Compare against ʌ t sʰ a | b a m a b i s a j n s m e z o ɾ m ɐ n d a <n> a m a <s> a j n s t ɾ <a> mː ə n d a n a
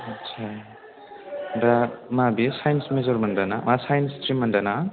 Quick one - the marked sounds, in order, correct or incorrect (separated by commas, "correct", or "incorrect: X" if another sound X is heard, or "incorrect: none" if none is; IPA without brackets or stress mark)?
correct, correct, incorrect: i